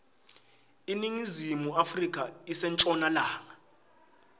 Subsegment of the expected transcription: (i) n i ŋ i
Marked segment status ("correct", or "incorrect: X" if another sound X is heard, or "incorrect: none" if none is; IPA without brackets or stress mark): correct